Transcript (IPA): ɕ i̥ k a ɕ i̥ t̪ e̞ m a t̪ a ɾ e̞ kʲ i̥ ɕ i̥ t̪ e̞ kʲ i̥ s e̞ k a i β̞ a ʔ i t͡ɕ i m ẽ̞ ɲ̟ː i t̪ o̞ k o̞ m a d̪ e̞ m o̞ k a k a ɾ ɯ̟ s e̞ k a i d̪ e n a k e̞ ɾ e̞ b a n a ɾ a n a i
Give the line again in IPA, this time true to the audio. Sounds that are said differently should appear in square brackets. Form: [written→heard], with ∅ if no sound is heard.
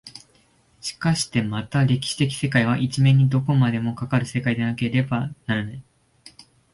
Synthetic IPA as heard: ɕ i̥ k a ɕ i̥ t̪ e̞ m a t̪ a ɾ e̞ kʲ i̥ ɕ i̥ t̪ e̞ kʲ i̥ s e̞ k a i β̞ a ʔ i t͡ɕ i m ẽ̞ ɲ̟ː i [t̪→d̪] o̞ k o̞ m a d̪ e̞ m o̞ k a k a ɾ ɯ̟ s e̞ k a i d̪ e n a k e̞ ɾ e̞ b a n a ɾ a n a i